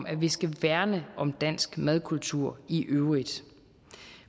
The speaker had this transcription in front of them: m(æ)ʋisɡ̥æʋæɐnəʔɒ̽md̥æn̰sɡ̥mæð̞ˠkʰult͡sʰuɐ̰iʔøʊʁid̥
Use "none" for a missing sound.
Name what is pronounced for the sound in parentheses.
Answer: æ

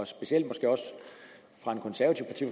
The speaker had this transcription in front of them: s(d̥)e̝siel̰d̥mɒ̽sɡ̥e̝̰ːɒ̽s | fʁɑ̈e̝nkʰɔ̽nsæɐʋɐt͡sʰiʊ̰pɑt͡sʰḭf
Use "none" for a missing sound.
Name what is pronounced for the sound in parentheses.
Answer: b̥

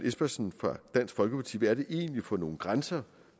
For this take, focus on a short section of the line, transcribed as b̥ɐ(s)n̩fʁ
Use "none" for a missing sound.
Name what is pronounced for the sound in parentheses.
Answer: s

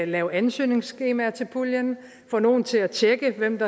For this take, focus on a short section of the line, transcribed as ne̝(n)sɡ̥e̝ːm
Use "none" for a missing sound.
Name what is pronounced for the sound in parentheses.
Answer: ŋ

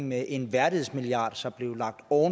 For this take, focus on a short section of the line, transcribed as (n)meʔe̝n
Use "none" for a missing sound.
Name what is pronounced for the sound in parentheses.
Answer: ŋ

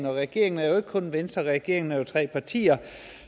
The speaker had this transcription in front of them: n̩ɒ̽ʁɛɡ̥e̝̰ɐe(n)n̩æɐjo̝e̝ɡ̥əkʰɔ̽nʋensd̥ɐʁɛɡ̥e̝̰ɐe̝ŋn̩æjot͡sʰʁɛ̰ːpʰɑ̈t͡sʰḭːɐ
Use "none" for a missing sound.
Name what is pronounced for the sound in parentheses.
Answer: ŋ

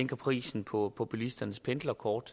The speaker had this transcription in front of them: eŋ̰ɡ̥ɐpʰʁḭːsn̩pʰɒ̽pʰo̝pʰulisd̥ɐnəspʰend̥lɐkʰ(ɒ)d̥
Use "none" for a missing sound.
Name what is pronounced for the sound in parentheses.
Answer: ɒː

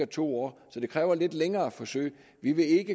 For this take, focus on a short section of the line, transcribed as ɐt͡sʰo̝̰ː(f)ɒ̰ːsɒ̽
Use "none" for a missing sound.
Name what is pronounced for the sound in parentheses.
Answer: none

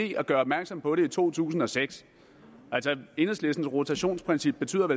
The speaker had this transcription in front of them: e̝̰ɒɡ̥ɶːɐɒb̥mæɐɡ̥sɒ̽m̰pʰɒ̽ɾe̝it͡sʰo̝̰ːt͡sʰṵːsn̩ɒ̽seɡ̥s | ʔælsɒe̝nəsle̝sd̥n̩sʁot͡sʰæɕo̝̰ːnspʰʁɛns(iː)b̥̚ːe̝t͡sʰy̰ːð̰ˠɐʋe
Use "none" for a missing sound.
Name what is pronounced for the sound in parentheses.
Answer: i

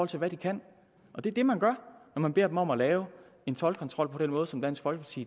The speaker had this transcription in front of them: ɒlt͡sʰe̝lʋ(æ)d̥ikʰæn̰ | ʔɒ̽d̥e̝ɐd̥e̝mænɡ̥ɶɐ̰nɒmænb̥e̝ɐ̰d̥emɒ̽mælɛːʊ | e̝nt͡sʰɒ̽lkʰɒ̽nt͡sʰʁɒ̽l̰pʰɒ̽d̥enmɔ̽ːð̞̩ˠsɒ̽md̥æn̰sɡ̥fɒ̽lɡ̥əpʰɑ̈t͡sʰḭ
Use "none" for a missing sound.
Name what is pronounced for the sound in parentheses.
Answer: æ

